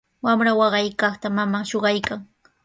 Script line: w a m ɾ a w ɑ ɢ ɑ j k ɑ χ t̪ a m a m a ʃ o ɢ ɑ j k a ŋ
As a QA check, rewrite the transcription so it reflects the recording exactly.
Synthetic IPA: w a m ɾ a w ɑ ɢ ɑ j k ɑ χ t̪ a m a m a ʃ o ɢ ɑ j k a ŋ